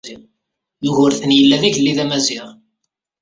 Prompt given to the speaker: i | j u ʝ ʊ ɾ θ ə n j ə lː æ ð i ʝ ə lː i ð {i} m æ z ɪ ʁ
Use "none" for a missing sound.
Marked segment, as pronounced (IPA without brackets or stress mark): æ